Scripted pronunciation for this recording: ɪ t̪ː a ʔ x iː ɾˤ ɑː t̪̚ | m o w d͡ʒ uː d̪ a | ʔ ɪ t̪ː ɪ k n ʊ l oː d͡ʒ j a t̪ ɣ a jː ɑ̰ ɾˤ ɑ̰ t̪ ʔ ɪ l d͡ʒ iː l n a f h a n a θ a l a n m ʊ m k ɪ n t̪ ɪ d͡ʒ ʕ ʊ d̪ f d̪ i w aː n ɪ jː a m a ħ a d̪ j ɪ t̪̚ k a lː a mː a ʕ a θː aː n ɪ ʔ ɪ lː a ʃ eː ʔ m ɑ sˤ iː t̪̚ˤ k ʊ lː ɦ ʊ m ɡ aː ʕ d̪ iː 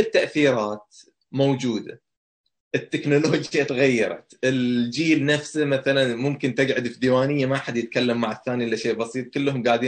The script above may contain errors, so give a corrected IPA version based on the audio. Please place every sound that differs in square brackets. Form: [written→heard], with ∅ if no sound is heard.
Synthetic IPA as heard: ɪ t̪ː a ʔ [x→θ] iː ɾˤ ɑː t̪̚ | m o w d͡ʒ uː d̪ a | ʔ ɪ t̪ː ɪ k n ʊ l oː d͡ʒ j a t̪ ɣ a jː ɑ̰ ɾˤ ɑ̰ t̪ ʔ ɪ l d͡ʒ iː l n a f [h→s] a [n→m] a θ a l a n m ʊ m k ɪ n t̪ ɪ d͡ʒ ʕ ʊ d̪ f d̪ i w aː n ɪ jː a m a ħ a d̪ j ɪ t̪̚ k a lː a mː a ʕ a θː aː n [ɪ→i] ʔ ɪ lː a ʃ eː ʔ [m→b] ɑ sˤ iː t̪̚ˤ k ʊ lː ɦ ʊ m ɡ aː ʕ d̪ iː